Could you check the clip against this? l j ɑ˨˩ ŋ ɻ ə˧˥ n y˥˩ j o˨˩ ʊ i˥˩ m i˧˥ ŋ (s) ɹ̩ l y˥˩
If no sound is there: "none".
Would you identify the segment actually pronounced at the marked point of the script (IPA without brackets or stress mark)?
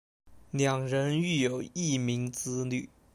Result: t͡s